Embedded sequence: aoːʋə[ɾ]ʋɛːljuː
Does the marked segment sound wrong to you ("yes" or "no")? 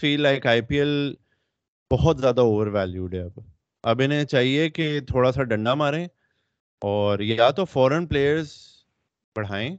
no